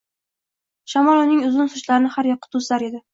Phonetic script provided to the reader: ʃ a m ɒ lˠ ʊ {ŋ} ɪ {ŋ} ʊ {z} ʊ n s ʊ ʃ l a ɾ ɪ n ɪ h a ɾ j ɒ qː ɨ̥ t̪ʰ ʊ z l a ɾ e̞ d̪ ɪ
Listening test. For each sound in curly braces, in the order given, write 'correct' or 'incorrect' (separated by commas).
incorrect, correct, correct